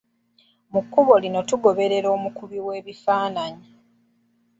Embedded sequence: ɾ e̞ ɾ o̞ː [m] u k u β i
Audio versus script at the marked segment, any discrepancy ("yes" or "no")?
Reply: no